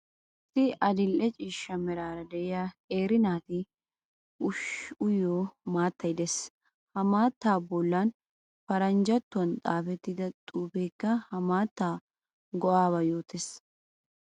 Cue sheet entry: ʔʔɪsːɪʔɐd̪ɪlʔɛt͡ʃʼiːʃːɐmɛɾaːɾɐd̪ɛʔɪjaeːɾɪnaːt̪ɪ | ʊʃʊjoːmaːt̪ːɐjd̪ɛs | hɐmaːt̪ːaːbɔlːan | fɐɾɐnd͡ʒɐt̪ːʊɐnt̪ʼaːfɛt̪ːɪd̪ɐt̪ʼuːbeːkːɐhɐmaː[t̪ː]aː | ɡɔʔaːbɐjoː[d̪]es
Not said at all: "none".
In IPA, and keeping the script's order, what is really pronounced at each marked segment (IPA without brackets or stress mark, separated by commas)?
t̪ː, t̪